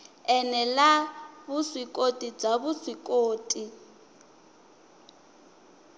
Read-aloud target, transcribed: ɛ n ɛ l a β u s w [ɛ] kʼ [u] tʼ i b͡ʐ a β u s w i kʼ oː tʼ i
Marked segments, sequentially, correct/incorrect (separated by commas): incorrect, incorrect